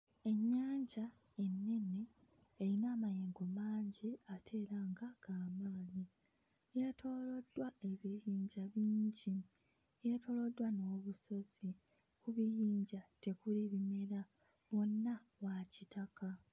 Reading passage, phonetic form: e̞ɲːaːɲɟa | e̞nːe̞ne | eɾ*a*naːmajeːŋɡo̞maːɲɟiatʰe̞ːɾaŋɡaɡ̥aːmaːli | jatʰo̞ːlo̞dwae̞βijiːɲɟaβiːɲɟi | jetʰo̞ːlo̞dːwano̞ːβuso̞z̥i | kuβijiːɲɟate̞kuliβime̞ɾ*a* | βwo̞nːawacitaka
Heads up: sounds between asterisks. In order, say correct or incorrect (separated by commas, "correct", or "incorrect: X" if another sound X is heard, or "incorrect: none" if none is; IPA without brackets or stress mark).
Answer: incorrect: i, correct